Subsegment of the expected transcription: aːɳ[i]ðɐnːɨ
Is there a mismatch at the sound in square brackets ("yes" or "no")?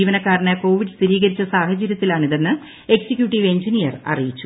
no